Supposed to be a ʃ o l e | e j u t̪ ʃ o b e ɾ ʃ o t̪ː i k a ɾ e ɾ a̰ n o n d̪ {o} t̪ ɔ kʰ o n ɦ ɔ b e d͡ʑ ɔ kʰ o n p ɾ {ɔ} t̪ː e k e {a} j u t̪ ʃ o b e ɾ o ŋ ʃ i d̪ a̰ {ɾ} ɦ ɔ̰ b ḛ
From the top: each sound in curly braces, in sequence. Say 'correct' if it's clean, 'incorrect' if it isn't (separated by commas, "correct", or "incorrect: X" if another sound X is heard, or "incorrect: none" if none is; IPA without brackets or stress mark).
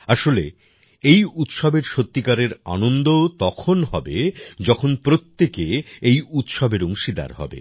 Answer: correct, incorrect: o, incorrect: e, correct